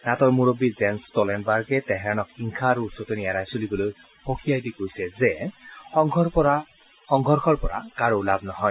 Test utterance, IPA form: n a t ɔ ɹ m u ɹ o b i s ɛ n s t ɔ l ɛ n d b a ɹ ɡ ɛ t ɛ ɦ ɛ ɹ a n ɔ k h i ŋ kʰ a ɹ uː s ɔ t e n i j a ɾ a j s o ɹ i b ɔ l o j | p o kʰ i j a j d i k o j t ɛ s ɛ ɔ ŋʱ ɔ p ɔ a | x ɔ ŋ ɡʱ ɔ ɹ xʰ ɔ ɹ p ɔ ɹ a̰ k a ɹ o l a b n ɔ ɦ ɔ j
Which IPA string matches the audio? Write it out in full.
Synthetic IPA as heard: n a t ɔ ɹ m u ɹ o b i z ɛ n s t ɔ l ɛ n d b a ɹ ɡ ɛ t ɛ ɦ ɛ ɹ a n ɔ k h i ŋ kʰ a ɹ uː s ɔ t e n i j a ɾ a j s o l i b ɔ l o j | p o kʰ i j a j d i k o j s ɛ z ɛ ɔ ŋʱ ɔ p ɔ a | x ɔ ŋ ɡʱ ɔ ɹ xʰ ɔ ɹ p ɔ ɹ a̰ k a ɹ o l a b n ɔ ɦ ɔ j